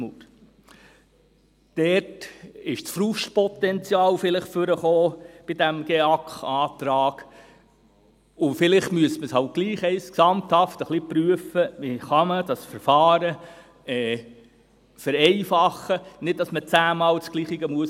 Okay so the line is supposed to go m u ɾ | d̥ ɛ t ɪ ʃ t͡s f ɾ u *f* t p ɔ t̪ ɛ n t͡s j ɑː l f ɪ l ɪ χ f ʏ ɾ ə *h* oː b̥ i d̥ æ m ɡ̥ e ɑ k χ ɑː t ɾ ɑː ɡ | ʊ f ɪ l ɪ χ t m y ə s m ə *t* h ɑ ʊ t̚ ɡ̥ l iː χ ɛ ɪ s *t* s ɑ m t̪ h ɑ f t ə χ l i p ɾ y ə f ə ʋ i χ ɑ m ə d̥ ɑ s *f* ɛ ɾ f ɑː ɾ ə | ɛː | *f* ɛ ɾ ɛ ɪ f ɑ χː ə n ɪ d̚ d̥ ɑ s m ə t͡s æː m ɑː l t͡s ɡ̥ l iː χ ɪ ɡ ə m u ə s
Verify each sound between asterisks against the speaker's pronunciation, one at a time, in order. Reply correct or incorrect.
incorrect, incorrect, incorrect, incorrect, correct, correct

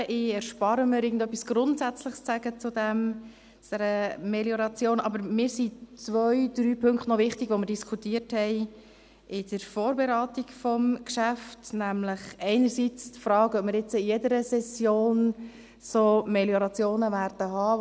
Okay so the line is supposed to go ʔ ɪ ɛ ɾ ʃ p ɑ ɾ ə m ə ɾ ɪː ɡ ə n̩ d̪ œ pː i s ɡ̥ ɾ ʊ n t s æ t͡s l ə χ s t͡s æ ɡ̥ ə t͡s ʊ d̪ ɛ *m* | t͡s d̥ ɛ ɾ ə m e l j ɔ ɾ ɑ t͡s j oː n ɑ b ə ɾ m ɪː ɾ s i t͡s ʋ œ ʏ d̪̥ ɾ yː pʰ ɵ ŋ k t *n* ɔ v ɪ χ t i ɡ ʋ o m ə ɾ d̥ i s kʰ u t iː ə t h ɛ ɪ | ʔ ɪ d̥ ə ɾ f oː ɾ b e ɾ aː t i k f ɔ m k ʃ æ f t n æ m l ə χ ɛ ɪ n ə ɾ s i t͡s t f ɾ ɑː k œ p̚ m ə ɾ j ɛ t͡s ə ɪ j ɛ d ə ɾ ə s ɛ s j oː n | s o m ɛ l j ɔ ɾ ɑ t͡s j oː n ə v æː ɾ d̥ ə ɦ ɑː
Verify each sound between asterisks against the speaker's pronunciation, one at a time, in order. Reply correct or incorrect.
correct, correct

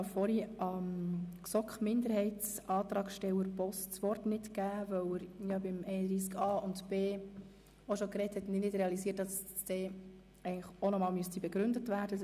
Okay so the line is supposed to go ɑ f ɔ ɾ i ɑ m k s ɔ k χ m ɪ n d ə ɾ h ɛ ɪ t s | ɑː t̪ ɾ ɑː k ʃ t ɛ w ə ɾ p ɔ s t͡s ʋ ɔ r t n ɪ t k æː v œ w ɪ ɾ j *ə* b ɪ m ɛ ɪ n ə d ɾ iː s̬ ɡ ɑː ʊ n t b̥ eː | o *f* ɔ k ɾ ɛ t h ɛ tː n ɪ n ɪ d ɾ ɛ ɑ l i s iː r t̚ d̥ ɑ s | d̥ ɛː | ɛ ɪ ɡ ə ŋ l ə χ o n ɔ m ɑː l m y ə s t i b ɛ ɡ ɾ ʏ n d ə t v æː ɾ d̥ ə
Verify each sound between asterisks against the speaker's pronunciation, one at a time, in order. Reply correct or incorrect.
incorrect, incorrect

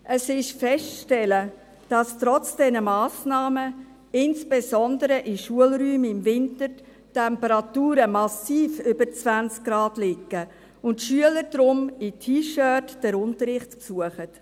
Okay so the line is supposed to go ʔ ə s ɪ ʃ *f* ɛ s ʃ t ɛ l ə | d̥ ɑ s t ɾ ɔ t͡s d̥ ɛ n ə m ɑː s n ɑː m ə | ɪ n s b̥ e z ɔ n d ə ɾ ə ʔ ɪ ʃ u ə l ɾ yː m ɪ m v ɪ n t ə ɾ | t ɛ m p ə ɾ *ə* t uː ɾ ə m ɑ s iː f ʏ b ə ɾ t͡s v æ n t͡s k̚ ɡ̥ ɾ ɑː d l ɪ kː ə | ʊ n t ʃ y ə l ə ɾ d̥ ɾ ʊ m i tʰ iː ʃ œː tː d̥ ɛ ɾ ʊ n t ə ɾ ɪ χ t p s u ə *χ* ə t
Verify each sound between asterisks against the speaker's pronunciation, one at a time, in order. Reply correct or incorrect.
correct, incorrect, correct

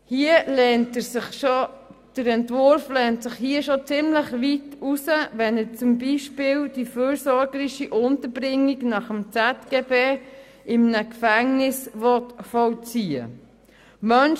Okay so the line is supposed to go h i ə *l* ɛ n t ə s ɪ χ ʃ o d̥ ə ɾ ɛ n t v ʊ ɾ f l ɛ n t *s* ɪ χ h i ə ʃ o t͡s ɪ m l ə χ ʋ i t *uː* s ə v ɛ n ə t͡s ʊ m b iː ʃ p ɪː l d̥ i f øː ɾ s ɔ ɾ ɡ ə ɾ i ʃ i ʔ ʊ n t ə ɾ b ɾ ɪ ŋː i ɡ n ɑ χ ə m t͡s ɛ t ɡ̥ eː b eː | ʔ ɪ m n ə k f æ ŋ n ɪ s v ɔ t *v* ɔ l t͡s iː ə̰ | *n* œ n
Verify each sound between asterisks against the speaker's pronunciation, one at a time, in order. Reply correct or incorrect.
correct, correct, incorrect, incorrect, incorrect

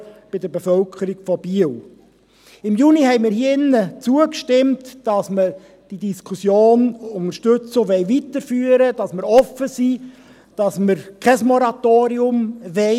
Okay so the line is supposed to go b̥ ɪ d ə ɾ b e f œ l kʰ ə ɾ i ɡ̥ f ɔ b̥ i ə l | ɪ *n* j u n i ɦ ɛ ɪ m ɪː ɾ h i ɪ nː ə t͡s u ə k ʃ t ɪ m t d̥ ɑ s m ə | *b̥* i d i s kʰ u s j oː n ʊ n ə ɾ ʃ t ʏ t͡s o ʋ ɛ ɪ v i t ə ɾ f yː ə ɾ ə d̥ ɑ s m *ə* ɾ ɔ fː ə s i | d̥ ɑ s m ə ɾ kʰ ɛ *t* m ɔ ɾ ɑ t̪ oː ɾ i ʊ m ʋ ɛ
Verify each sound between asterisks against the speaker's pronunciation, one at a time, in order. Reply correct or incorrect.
incorrect, incorrect, correct, incorrect

